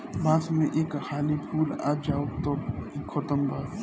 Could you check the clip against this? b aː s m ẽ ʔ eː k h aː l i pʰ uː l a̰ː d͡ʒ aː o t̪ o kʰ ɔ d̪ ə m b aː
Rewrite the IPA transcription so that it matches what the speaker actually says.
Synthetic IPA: b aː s m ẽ ʔ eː k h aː l i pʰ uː l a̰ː d͡ʒ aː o t̪ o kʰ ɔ t̪ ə m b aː